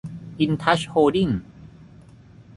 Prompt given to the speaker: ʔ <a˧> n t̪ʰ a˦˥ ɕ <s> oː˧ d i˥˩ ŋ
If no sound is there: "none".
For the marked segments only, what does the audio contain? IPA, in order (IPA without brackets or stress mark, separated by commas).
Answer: i˧, h